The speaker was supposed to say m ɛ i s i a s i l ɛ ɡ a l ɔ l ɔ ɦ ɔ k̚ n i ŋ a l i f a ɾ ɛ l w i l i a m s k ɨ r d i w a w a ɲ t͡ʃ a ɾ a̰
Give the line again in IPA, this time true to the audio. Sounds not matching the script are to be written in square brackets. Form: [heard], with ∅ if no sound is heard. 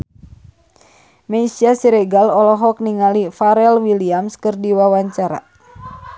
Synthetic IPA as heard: m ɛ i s i a s i [ɾ] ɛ ɡ a l ɔ l ɔ ɦ ɔ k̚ n i ŋ a l i f a ɾ ɛ l w i l i a m s k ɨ r d i w a w a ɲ t͡ʃ a ɾ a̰